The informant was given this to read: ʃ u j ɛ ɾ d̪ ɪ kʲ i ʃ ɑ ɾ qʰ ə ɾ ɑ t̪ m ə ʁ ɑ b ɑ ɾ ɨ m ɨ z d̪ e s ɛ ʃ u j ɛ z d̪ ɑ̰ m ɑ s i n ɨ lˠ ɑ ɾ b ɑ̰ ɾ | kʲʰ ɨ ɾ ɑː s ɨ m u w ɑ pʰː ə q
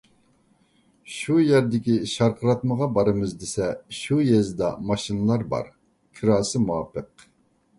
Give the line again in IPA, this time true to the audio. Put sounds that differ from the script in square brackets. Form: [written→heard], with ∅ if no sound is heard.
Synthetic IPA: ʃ u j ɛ ɾ d̪ ɪ kʲ i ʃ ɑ ɾ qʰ ə ɾ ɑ t̪ m ə ʁ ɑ b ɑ ɾ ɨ m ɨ z d̪ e s ɛ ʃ u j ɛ z d̪ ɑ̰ m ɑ [s→ʃ] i n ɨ lˠ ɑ ɾ b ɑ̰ ɾ | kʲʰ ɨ ɾ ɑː s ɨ m u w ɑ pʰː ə q

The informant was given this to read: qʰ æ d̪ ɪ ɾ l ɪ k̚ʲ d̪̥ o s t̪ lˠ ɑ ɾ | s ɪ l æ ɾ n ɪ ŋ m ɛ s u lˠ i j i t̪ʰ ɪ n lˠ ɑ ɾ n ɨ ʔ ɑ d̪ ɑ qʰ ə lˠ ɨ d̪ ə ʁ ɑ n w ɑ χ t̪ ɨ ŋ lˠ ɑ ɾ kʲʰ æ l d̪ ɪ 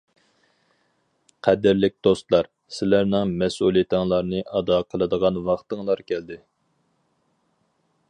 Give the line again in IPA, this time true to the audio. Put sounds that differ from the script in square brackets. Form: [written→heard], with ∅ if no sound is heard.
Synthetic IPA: qʰ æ d̪ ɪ ɾ l ɪ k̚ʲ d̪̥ o s t̪ lˠ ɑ ɾ | s ɪ l æ ɾ n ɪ ŋ m ɛ s u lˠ i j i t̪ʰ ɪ [n→ŋ] lˠ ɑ ɾ n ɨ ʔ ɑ d̪ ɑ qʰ ə lˠ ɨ d̪ ə ʁ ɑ n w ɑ χ t̪ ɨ ŋ lˠ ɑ ɾ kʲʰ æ l d̪ ɪ

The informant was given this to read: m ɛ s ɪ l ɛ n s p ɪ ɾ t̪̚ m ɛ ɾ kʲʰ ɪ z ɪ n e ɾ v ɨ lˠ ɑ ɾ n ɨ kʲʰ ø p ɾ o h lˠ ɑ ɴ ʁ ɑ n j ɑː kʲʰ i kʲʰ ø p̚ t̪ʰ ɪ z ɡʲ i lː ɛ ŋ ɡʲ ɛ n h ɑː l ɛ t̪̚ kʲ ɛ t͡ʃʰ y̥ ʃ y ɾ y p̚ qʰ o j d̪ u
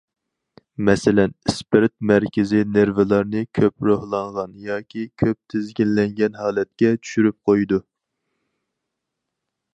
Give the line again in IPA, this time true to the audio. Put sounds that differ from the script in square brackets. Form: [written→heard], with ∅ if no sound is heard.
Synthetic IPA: m ɛ s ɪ l ɛ n s p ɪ ɾ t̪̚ m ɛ ɾ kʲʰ ɪ z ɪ n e ɾ v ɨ lˠ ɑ ɾ n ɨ kʲʰ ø p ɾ o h lˠ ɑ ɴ ʁ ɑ n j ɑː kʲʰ i kʲʰ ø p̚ t̪ʰ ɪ z ɡʲ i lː ɛ ŋ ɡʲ ɛ n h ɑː l ɛ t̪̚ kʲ ɛ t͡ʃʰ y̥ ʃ y ɾ y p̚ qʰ o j d̪ u

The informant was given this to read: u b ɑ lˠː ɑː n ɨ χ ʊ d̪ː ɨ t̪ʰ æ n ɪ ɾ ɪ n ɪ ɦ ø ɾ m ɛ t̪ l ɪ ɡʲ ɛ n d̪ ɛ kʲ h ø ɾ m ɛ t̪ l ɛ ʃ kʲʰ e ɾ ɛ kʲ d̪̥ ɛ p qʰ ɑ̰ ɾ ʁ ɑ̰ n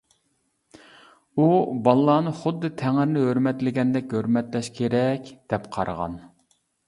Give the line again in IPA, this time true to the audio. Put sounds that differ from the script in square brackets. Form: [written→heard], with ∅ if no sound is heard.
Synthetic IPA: u b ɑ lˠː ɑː n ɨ χ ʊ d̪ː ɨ t̪ʰ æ [n→ŋ] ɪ ɾ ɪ n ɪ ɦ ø ɾ m ɛ t̪ l ɪ ɡʲ ɛ n d̪ ɛ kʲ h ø ɾ m ɛ t̪ l ɛ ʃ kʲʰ e ɾ ɛ kʲ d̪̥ ɛ p qʰ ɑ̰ ɾ ʁ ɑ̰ n

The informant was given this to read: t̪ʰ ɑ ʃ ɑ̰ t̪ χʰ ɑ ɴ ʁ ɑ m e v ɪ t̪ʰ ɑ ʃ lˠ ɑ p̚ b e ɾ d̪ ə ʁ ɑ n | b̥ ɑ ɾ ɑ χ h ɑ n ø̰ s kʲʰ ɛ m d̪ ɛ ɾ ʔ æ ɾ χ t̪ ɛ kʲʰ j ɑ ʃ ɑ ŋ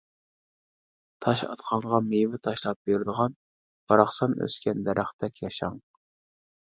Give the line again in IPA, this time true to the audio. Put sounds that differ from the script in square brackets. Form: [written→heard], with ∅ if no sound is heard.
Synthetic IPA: t̪ʰ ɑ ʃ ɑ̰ t̪ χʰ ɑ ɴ ʁ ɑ m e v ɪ t̪ʰ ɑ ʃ lˠ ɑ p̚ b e ɾ d̪ ə ʁ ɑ n | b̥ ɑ ɾ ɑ χ [h→s] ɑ n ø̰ s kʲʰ ɛ [m→n] d̪ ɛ ɾ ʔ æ [ɾ→∅] χ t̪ ɛ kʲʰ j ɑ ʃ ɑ ŋ

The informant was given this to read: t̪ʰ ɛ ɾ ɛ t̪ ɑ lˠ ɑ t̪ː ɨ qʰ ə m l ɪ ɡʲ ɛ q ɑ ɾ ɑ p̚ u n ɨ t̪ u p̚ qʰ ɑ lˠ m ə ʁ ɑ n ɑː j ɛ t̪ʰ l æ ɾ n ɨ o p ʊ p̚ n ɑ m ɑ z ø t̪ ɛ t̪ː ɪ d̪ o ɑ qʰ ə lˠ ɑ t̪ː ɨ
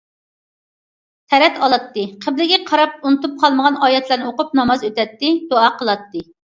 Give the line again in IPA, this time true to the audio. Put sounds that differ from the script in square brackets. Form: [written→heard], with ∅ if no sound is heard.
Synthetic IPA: t̪ʰ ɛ ɾ ɛ t̪ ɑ lˠ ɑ t̪ː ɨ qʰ ə [m→b] l ɪ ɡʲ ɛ [q→qʰ] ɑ ɾ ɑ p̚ u n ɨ t̪ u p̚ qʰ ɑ lˠ m ə ʁ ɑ n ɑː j ɛ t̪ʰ l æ ɾ n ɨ o [p→q] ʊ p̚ n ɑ m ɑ z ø t̪ ɛ t̪ː ɪ d̪ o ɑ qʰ ə lˠ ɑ t̪ː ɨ

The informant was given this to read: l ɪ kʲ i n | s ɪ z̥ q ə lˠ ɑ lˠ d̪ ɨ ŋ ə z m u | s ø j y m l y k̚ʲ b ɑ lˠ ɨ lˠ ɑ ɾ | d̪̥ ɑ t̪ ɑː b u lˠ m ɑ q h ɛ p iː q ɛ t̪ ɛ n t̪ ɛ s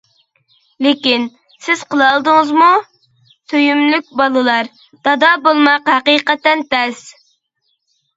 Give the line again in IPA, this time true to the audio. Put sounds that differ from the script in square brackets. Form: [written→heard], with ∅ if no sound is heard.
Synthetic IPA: l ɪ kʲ i n | s ɪ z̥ q ə lˠ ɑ lˠ d̪ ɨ ŋ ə z m u | s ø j y m l y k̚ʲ b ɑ lˠ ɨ lˠ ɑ ɾ | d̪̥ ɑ [t̪→d̪] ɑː b [u→o] lˠ m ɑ q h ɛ [p→q] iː q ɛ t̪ ɛ n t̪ ɛ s

